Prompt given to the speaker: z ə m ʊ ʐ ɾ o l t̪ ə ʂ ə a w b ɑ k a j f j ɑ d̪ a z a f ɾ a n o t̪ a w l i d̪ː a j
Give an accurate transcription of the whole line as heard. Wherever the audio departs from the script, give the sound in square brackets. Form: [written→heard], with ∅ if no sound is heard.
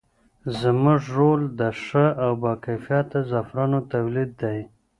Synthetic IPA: z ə m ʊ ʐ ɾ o l [t̪→d̪] ə ʂ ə a w b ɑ k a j f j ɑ [d̪→t̪] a z a f ɾ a n o t̪ a w l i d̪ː a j